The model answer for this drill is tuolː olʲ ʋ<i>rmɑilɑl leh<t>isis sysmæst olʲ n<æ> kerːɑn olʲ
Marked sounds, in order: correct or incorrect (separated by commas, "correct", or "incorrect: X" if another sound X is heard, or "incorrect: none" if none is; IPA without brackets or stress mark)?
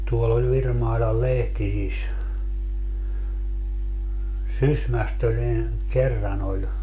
correct, correct, incorrect: i